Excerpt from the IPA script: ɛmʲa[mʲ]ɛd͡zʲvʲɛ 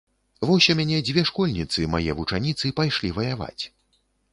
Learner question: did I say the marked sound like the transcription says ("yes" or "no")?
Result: no